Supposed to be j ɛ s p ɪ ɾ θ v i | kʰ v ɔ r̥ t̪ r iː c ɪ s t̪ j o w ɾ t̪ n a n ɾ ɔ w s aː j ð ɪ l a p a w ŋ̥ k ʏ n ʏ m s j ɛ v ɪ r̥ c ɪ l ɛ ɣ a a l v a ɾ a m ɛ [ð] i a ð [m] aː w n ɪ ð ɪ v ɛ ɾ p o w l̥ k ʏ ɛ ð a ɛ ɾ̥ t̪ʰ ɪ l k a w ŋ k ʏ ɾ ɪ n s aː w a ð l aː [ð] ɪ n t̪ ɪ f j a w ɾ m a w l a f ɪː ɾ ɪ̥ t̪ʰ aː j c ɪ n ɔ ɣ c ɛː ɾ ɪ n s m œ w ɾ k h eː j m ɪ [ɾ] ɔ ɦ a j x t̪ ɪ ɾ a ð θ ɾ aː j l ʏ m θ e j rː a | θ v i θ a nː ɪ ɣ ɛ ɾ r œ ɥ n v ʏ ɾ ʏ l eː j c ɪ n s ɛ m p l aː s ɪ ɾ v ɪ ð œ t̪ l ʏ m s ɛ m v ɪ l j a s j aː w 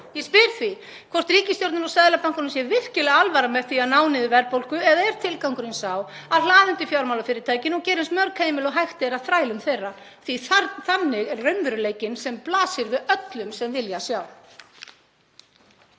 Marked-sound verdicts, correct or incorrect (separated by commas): incorrect, incorrect, correct, incorrect